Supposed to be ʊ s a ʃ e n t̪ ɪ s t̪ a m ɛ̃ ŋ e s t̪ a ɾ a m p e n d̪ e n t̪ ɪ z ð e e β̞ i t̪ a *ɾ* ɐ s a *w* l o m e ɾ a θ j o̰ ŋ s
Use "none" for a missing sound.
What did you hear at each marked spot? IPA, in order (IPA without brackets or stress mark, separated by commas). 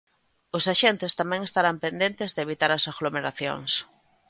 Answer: ɾ, ɣ